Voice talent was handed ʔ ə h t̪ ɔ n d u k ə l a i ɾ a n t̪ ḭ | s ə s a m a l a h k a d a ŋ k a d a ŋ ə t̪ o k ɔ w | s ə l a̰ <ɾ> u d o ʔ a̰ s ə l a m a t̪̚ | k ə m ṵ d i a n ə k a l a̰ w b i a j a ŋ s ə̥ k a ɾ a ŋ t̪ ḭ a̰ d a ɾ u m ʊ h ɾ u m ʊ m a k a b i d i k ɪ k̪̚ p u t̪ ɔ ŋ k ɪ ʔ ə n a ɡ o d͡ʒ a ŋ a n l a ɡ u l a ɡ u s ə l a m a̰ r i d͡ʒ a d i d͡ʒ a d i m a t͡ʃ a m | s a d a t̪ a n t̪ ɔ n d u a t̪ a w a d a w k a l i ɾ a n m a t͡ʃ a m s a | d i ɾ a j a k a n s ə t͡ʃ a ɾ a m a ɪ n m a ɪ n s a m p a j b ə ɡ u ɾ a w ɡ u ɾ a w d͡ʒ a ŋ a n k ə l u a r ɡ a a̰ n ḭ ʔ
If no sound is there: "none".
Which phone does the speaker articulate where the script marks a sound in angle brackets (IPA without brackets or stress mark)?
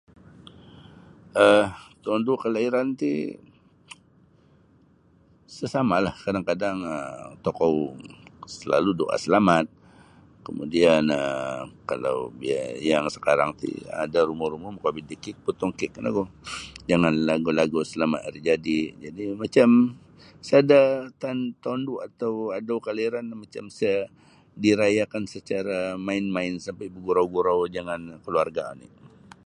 l